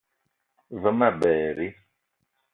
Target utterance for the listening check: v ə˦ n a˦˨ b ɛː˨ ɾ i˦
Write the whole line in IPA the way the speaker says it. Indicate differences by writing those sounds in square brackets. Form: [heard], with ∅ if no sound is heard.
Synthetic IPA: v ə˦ [m] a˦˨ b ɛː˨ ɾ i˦